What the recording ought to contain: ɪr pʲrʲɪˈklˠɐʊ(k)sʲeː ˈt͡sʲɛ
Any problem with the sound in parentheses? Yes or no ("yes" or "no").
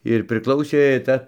yes